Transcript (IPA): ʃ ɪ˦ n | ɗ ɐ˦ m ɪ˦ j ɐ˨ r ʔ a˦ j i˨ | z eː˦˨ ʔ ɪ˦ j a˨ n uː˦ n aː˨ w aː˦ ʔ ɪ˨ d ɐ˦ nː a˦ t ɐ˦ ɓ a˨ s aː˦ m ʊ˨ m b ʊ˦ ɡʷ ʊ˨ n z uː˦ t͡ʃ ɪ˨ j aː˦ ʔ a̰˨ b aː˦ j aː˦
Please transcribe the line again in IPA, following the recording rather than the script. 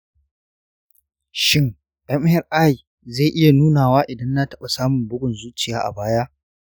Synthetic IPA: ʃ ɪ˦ ŋ | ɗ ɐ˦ m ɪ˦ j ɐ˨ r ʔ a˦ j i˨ | z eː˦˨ ʔ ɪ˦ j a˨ n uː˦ n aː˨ w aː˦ ʔ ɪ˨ d ɐ˦ nː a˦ t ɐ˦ ɓ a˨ s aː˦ m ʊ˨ m b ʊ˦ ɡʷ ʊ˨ n z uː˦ t͡ʃ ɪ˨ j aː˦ ʔ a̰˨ b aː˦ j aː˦